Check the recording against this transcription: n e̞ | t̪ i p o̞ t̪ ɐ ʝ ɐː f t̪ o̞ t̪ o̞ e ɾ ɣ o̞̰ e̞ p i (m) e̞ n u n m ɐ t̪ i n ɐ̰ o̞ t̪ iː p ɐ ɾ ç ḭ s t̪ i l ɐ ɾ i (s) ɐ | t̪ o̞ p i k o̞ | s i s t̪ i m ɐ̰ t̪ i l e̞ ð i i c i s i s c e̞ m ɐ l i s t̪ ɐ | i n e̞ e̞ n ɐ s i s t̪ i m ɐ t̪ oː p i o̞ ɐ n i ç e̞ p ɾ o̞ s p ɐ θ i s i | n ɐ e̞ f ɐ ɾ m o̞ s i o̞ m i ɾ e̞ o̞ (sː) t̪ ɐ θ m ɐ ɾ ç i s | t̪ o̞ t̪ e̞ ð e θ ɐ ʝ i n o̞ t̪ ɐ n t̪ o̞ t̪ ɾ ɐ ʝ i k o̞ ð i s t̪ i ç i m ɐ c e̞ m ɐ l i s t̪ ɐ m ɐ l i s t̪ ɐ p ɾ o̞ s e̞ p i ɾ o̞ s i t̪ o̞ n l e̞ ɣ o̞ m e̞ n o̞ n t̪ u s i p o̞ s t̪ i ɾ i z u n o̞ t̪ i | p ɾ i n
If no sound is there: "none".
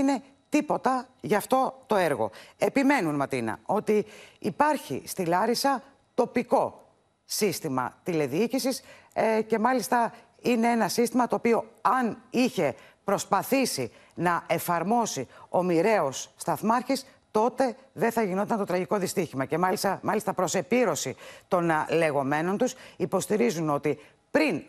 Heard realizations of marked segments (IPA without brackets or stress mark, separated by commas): m, s, sː